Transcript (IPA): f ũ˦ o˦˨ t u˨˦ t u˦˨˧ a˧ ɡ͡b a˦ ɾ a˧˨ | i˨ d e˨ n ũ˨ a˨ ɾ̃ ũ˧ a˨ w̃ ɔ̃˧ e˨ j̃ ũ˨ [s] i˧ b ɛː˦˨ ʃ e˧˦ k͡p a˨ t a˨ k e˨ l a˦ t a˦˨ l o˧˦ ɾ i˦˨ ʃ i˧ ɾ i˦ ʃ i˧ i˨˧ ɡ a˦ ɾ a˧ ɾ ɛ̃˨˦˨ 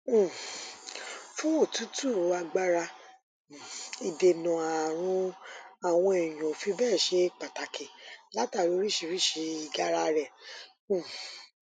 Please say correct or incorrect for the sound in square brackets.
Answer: incorrect